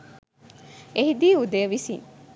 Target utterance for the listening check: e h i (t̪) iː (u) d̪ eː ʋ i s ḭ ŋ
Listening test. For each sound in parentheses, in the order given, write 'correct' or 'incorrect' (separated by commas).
incorrect, correct